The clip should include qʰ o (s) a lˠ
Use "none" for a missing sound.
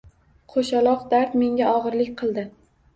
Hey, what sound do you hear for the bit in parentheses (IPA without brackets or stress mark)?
ʃ